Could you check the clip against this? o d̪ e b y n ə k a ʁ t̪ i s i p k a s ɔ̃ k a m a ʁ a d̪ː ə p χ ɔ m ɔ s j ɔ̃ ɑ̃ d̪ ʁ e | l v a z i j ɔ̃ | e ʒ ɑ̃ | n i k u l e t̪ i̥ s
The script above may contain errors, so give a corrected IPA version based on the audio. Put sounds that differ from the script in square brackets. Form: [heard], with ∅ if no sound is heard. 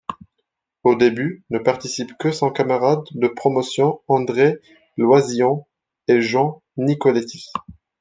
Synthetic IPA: o d̪ e b y n ə [p] a ʁ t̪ i s i p k [ə] s ɔ̃ k a m a ʁ a d̪ː ə p χ ɔ m ɔ s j ɔ̃ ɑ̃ d̪ ʁ e | l [w] a z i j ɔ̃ | e ʒ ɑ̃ | n i k [ɔ] l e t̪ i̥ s